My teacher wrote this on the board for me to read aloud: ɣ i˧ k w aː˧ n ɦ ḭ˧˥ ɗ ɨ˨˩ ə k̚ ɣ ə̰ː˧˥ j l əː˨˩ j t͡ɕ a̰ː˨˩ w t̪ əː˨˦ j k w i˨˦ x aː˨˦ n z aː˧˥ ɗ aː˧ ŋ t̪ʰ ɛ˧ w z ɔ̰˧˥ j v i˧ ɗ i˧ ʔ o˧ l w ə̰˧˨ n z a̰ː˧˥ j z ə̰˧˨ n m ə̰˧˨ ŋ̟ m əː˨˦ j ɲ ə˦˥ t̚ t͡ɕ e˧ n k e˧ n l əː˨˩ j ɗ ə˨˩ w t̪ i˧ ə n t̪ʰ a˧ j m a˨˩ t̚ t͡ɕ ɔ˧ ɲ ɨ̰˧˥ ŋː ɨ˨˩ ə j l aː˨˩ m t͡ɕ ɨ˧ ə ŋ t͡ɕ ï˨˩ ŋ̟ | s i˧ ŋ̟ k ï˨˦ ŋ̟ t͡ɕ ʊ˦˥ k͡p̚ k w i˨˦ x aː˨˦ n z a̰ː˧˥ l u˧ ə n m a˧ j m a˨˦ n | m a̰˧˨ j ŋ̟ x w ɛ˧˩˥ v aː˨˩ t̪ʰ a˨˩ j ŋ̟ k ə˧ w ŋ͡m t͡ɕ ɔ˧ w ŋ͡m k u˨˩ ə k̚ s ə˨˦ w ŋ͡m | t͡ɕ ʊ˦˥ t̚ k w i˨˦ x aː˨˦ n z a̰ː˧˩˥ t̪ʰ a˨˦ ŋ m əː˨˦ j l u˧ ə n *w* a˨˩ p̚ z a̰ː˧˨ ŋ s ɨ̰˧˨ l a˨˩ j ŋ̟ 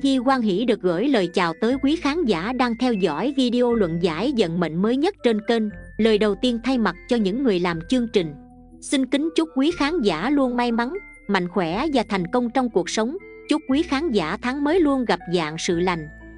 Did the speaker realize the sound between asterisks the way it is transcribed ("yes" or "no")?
no